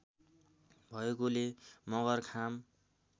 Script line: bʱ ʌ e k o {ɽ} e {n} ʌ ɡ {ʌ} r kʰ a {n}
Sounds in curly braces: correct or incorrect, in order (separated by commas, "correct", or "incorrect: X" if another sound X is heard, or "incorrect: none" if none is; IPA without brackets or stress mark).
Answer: incorrect: l, incorrect: m, correct, incorrect: m